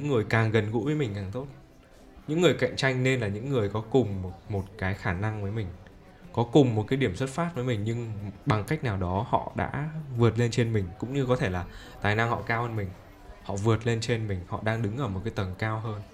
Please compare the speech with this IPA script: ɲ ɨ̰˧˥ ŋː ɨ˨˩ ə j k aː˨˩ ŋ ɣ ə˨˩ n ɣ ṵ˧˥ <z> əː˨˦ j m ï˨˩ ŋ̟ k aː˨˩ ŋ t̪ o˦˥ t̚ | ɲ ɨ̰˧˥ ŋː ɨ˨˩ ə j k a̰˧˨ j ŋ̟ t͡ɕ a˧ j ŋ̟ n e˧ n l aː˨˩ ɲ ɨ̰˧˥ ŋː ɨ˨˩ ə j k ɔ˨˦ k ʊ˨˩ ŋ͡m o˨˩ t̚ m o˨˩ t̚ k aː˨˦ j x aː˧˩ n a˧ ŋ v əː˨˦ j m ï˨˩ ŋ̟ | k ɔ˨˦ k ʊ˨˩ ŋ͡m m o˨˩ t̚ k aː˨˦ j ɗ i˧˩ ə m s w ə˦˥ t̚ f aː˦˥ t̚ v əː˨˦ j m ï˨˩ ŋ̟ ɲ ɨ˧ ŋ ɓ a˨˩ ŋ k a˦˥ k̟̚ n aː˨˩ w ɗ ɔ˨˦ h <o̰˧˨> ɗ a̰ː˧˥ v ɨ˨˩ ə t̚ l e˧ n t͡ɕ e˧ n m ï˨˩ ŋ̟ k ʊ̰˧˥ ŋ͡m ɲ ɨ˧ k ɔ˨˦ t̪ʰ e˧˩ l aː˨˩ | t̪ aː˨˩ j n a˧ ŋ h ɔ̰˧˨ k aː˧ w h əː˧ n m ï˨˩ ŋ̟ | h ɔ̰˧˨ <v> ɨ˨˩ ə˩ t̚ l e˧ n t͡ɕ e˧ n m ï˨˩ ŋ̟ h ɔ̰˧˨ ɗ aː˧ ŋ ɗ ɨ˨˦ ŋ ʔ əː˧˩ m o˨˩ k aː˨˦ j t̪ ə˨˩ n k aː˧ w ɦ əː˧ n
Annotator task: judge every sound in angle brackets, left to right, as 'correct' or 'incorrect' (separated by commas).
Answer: incorrect, incorrect, correct